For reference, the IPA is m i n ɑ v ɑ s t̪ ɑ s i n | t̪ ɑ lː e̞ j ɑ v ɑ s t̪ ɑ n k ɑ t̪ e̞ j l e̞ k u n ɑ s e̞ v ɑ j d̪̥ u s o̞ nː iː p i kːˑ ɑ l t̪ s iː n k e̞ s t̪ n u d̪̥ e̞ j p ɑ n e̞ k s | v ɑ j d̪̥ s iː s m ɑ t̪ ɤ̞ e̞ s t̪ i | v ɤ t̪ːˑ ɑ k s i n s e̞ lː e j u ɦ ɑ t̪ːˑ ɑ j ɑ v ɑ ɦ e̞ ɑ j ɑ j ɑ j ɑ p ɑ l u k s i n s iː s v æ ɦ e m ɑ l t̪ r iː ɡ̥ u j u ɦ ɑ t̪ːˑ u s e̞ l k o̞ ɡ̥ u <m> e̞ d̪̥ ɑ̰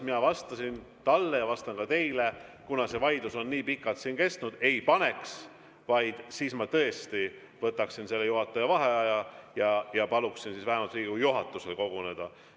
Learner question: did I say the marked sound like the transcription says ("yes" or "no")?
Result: no